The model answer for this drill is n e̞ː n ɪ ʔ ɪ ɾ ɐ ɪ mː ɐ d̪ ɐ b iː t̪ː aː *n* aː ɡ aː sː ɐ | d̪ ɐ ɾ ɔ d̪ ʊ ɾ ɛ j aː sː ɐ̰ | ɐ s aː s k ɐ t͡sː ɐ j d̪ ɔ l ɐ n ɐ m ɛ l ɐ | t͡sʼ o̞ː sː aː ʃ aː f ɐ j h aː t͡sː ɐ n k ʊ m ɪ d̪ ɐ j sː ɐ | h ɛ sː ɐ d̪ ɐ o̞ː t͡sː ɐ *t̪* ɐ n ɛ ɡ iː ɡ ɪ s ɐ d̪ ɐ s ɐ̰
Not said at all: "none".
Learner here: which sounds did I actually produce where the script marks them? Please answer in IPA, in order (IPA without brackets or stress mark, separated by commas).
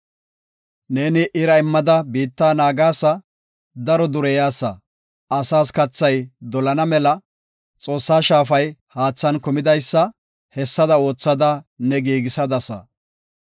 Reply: n, d̪